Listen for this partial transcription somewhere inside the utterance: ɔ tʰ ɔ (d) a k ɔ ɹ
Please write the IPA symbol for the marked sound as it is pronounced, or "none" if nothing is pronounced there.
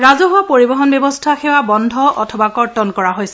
b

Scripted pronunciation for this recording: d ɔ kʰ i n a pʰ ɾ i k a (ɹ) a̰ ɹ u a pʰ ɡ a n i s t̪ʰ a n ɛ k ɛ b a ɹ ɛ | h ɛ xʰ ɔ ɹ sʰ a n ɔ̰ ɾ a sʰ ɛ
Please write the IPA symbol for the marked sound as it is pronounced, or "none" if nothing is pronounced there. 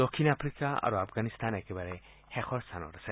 none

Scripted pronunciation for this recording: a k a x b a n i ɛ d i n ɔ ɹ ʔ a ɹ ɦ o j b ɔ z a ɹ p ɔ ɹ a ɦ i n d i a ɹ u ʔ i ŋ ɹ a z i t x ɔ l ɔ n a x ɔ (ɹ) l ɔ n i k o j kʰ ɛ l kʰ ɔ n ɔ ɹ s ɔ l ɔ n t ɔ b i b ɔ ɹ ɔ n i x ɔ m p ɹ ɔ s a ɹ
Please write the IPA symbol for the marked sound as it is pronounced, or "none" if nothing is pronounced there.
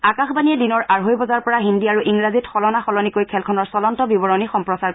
none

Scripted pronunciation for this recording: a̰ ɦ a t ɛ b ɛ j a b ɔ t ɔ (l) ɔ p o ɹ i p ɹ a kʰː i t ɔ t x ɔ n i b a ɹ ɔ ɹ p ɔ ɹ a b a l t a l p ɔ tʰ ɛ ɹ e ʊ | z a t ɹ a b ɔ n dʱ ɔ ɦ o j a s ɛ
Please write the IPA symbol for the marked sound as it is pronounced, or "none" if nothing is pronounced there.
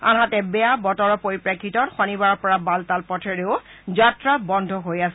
ɹ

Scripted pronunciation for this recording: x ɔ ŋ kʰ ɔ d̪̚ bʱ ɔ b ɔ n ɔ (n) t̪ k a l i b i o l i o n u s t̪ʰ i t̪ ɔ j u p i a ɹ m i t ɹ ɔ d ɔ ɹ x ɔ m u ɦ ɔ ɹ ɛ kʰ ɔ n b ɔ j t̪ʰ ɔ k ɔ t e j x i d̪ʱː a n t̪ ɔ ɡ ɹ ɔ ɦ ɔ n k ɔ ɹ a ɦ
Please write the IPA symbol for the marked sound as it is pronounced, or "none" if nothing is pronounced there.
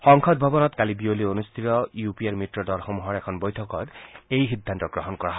none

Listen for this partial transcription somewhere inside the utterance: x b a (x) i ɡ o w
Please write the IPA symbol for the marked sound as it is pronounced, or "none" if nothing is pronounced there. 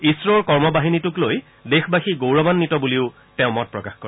x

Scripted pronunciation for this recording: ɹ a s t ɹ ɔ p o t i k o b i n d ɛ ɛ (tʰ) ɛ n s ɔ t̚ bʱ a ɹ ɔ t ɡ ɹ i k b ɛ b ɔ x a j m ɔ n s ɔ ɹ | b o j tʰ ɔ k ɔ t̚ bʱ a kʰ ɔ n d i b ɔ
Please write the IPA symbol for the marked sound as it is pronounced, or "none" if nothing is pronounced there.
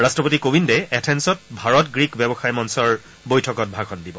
tʰ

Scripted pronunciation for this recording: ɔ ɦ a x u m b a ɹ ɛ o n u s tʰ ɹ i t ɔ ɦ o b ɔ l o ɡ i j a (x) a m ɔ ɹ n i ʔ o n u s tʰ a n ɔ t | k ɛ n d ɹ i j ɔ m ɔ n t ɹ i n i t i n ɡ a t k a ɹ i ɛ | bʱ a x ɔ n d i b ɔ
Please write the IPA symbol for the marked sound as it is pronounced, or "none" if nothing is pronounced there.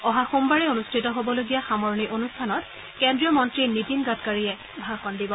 x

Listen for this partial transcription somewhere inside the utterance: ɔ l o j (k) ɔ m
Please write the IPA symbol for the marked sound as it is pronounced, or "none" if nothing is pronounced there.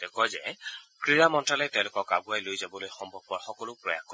x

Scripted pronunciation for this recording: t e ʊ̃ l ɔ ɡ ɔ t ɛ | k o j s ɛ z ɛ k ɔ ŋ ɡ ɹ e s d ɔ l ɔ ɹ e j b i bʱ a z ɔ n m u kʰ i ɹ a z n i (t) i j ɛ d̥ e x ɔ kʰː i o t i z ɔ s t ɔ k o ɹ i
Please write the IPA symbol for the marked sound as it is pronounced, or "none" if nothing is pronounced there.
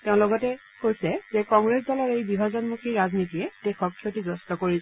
t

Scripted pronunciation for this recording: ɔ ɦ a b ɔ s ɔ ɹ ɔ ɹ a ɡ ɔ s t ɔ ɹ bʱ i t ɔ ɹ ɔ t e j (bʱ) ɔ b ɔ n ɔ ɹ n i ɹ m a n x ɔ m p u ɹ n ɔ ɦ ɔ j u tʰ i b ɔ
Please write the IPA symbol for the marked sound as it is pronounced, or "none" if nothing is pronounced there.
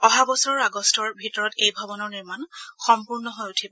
bʱ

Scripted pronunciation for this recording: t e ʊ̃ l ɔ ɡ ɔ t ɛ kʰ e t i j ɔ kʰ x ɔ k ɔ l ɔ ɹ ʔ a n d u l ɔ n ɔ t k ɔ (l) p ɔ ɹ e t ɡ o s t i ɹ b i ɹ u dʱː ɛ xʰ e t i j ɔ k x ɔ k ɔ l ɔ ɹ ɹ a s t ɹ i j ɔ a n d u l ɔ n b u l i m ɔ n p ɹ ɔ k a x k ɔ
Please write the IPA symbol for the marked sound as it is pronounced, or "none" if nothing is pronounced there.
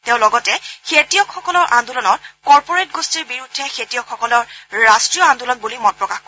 ɹ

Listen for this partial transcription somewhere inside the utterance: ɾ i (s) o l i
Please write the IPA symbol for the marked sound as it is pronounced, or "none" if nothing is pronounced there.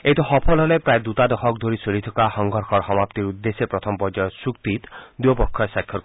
s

